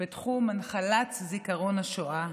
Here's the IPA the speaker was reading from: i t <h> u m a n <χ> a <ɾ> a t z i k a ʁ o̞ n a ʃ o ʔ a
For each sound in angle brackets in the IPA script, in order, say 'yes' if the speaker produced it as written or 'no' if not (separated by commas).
no, yes, no